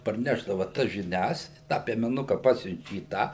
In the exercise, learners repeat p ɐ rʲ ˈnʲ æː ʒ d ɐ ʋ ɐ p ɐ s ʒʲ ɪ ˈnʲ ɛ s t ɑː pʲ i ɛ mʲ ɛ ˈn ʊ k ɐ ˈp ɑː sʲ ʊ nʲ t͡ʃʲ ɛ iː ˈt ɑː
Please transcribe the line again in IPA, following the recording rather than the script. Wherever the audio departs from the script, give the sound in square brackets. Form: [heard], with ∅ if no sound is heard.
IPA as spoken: p ɐ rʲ ˈnʲ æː ʒ d ɐ ʋ ɐ [t] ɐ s ʒʲ ɪ ˈnʲ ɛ s t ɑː pʲ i ɛ mʲ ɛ ˈn ʊ k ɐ ˈp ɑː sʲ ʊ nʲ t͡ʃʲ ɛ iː ˈt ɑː